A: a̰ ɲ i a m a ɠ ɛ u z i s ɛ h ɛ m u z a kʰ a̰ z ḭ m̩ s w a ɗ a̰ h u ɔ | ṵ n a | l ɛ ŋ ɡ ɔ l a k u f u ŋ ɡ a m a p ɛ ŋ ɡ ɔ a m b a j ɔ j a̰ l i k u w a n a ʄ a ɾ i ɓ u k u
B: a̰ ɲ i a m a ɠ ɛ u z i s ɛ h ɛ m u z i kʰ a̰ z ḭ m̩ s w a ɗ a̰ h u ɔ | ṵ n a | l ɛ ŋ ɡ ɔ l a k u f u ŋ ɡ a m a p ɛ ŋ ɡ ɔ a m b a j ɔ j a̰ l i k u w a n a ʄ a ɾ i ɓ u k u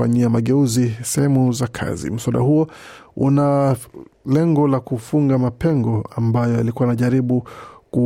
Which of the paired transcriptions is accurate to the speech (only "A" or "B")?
A